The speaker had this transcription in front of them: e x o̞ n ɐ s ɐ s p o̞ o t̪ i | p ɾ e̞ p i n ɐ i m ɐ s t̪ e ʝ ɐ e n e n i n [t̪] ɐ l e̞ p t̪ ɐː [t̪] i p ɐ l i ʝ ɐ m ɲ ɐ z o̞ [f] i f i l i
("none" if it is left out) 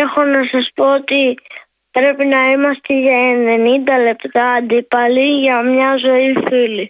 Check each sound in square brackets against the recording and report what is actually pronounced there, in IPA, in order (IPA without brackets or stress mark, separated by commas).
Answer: d̪, d̪, none